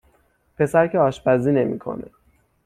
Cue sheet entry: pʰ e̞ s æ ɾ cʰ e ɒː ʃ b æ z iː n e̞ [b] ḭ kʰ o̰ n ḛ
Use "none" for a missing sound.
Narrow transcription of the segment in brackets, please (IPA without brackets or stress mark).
m